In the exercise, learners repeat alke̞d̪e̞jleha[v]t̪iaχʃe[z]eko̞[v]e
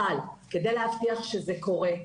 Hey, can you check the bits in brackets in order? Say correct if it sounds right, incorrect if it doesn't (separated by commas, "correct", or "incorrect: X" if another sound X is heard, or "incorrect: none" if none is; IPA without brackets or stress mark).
incorrect: f, correct, incorrect: ʁ